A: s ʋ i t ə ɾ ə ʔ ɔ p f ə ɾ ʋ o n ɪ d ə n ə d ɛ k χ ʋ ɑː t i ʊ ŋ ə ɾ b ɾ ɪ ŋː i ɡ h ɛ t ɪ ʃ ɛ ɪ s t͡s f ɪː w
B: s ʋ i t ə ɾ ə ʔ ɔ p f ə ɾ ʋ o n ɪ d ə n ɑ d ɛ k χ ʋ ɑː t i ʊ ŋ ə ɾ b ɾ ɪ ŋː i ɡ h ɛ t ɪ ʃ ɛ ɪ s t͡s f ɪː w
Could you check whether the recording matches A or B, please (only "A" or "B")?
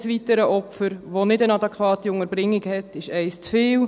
B